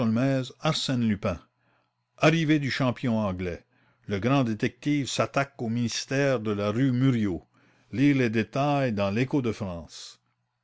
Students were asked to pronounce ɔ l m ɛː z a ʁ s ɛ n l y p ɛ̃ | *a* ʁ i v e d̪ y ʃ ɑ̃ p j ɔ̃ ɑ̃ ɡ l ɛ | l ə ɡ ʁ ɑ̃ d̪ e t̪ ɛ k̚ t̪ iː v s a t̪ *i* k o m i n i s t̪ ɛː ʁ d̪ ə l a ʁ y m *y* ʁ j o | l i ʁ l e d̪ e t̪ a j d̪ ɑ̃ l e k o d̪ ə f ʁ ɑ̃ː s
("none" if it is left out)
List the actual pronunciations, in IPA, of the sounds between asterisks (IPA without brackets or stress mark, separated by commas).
a, a, y